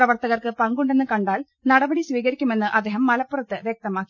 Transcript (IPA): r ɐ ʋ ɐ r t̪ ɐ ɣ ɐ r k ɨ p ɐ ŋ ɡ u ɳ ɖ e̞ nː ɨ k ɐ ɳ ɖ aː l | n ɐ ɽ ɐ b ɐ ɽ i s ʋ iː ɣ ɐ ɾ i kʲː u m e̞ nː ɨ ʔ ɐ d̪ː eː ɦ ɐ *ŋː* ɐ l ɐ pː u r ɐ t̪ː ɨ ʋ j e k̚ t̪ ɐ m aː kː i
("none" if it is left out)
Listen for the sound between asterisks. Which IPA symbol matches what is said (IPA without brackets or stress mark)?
mː